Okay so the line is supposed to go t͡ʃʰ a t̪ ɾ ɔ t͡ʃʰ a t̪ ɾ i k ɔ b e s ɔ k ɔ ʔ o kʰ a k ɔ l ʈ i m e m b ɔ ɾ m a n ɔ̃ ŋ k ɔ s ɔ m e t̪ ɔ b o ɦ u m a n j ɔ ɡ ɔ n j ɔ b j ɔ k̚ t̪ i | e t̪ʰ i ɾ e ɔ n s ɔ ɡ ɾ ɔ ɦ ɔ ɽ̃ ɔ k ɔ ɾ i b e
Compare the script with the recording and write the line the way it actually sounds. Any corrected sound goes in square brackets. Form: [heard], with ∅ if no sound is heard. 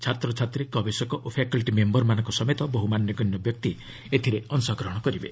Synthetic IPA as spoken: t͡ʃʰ a t̪ ɾ ɔ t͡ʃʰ a t̪ ɾ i k ɔ b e s ɔ k ɔ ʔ o [pʰ] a k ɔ l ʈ i m e m b ɔ ɾ m a n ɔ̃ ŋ k ɔ s ɔ m e t̪ ɔ b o ɦ u m a n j ɔ ɡ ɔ n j ɔ b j ɔ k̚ t̪ i | e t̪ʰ i ɾ e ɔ n s ɔ ɡ ɾ ɔ ɦ ɔ ɽ̃ ɔ k ɔ ɾ i b e